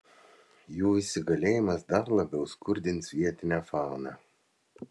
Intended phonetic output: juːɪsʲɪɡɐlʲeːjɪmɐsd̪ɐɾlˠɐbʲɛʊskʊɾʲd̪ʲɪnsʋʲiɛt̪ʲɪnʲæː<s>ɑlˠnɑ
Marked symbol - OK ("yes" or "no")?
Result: no